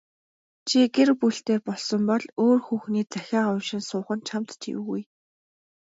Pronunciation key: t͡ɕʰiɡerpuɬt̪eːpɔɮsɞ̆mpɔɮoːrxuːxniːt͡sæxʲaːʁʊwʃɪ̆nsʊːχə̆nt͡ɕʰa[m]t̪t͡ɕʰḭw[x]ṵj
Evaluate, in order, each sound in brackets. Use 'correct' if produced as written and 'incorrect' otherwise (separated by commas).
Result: correct, incorrect